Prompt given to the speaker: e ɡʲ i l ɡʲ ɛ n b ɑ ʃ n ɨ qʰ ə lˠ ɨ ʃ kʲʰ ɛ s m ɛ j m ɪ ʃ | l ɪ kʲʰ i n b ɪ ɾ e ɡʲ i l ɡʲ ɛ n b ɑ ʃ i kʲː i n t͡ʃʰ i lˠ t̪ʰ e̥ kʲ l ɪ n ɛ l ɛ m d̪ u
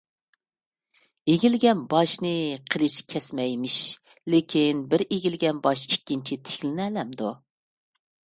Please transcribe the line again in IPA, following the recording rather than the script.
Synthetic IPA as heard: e ɡʲ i l ɡʲ ɛ n b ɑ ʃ n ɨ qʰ ə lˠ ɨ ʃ kʲʰ ɛ s m ɛ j m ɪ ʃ | l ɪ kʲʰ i n b ɪ ɾ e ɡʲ i l ɡʲ ɛ n b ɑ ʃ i kʲː i n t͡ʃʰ i t̪ʰ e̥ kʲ l ɪ n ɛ l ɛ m d̪ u

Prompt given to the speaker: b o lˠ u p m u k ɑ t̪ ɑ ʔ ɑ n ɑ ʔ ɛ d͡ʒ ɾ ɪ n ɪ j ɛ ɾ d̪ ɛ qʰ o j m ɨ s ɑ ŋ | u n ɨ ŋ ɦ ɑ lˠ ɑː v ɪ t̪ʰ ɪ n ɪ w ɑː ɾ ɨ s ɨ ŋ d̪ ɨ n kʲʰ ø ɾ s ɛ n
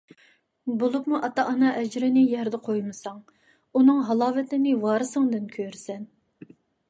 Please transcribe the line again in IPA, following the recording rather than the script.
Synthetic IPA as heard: b o lˠ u p m u ʔ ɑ t̪ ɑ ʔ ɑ n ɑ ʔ ɛ d͡ʒ ɾ ɪ n ɪ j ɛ ɾ d̪ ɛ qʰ o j m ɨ s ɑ ŋ | u n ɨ ŋ ɦ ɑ lˠ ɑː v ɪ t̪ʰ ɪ n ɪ w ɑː ɾ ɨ s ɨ ŋ d̪ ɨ n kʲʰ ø ɾ s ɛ n

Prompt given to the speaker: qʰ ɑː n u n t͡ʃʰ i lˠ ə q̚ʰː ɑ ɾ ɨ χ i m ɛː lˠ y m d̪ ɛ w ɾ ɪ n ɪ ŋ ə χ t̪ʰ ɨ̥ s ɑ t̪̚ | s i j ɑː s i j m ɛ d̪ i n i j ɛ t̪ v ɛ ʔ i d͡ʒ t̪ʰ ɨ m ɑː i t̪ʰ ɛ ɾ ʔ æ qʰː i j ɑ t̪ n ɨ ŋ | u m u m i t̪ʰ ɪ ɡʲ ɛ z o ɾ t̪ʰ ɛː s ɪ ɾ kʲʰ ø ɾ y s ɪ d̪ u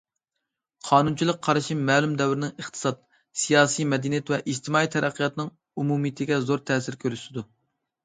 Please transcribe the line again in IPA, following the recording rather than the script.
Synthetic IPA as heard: qʰ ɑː n u n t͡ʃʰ i lˠ ə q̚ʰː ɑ ɾ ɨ ʃ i m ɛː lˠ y m d̪ ɛ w ɾ ɪ n ɪ ŋ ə χ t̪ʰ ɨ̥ s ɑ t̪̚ | s i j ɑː s i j m ɛ d̪ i n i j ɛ t̪ v ɛ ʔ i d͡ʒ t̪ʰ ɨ m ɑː i t̪ʰ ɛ ɾ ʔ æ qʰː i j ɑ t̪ n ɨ ŋ | u m u m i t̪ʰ ɪ ɡʲ ɛ z o ɾ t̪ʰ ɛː s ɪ ɾ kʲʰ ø ɾ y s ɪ d̪ u

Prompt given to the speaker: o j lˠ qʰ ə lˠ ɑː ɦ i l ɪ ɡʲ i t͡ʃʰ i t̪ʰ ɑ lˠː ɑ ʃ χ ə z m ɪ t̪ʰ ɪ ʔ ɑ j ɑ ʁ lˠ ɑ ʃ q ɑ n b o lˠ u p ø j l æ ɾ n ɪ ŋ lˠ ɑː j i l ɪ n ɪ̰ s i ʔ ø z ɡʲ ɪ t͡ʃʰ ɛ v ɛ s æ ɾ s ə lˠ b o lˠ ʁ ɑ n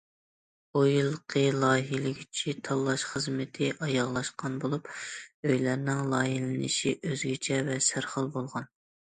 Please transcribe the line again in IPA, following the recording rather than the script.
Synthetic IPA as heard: o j lˠ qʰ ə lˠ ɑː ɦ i l ɪ ɡʲ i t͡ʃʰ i t̪ʰ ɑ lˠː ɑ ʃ χ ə z m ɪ t̪ʰ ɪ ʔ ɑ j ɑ ʁ lˠ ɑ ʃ q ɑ n b o lˠ u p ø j l æ ɾ n ɪ ŋ lˠ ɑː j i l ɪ n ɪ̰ ʃ i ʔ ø z ɡʲ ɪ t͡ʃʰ ɛ v ɛ s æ ɾ χ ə lˠ b o lˠ ʁ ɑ n

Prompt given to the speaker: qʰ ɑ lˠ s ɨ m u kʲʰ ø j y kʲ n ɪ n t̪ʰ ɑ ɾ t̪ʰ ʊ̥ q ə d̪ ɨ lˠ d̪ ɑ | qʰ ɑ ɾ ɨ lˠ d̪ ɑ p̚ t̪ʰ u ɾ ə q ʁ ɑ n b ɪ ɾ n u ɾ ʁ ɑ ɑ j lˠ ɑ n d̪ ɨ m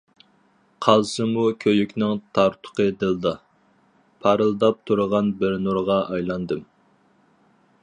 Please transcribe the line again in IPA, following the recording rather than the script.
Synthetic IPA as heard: qʰ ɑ lˠ s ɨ m u kʲʰ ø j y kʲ n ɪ ŋ t̪ʰ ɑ ɾ t̪ʰ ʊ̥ q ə d̪ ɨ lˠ d̪ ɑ | pʰ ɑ ɾ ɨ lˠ d̪ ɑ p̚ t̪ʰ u ɾ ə ʁ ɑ n b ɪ ɾ n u ɾ ʁ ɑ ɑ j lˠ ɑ n d̪ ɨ m

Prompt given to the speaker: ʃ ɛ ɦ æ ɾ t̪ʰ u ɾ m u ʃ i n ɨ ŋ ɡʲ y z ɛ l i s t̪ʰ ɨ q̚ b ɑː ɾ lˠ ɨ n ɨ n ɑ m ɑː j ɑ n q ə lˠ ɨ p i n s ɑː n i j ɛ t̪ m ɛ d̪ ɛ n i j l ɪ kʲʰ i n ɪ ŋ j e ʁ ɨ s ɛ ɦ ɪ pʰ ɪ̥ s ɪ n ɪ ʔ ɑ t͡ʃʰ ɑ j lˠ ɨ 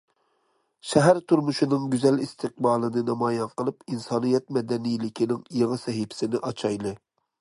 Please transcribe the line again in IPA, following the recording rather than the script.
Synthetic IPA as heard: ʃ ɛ ɦ æ ɾ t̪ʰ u ɾ m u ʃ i n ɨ ŋ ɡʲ y z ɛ l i s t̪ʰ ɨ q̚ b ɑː lˠ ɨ n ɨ n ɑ m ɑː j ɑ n q ə lˠ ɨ p i n s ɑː n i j ɛ t̪ m ɛ d̪ ɛ n i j l ɪ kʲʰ i n ɪ ŋ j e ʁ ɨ s ɛ ɦ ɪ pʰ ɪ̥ s ɪ n ɪ ʔ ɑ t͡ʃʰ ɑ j lˠ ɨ

